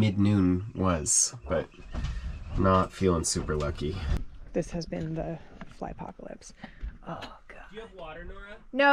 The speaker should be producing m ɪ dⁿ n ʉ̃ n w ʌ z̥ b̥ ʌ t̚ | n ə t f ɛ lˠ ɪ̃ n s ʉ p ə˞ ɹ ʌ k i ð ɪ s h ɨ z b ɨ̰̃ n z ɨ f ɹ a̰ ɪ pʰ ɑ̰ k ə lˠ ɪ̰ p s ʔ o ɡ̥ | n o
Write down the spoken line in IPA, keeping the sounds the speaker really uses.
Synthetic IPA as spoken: m ɪ dⁿ n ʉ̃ n w ʌ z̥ b̥ ʌ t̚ | n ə t f i lˠ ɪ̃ ŋ s ʉ p ə˞ l ʌ k i ð ɪ s h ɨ z b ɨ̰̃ n ð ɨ f l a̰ ɪ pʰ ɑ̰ k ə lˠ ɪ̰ p s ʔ o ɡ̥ | n o